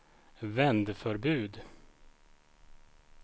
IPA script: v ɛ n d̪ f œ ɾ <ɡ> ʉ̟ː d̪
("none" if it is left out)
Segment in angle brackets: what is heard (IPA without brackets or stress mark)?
b